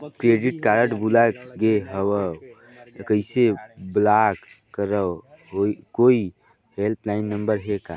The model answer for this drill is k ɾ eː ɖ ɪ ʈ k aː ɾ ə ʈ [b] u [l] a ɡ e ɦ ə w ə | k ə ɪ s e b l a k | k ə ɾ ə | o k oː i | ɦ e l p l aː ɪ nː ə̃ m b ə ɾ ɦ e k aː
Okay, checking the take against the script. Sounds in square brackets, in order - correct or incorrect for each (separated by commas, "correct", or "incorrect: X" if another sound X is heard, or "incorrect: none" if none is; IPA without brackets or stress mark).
correct, correct